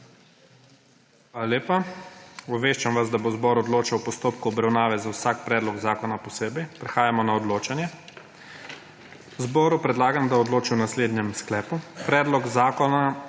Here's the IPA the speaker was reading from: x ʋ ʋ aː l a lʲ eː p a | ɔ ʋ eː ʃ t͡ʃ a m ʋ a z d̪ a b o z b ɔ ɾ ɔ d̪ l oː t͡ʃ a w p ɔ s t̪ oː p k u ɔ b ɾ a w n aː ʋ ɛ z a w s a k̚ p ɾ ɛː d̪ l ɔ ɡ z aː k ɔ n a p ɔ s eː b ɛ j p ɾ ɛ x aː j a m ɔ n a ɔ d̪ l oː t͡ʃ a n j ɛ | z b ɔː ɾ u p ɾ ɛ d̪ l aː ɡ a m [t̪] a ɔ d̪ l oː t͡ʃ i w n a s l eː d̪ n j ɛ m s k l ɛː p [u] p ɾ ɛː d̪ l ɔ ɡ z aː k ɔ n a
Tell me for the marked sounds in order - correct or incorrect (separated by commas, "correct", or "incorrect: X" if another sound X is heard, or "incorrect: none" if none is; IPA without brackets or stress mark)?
incorrect: d̪, correct